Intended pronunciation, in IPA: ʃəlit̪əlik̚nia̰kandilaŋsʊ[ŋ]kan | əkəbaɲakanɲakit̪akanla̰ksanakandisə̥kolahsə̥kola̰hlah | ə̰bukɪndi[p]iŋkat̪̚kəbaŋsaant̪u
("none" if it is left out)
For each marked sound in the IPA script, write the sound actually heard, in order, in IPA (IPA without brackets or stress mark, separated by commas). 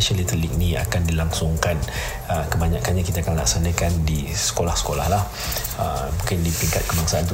ŋ, p